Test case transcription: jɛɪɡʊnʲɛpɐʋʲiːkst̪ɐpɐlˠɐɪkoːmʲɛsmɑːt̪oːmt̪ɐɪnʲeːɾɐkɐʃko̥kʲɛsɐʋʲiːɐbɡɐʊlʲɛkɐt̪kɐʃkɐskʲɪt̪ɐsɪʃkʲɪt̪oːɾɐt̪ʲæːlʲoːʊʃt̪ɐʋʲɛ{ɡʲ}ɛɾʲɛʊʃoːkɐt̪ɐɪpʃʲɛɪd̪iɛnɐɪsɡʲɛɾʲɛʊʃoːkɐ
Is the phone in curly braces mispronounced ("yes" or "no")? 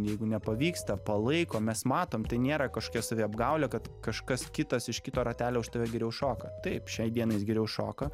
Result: no